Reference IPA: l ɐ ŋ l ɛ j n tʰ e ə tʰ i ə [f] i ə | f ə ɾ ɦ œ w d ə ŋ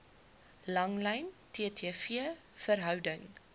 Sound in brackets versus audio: correct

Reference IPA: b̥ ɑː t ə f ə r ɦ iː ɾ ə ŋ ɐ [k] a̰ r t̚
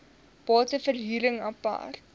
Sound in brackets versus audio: incorrect: p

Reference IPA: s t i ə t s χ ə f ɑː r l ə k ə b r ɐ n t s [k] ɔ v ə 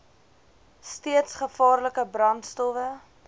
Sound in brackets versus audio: incorrect: t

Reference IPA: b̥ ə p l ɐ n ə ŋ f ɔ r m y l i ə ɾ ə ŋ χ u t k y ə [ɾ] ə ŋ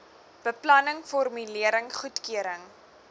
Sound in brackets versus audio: correct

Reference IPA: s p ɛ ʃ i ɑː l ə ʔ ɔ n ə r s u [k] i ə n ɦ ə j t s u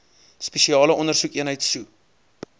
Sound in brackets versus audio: correct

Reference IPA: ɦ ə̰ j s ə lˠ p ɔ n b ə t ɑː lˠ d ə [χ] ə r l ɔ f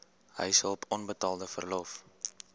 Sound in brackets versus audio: incorrect: f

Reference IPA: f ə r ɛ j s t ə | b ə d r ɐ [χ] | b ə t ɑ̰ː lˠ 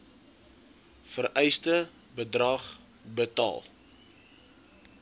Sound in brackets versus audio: correct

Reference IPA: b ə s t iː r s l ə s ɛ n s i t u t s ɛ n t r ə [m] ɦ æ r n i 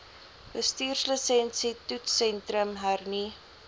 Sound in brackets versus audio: correct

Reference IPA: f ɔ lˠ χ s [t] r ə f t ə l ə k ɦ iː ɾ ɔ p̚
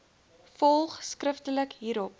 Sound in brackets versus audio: incorrect: k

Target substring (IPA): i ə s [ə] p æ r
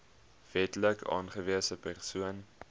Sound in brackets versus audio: correct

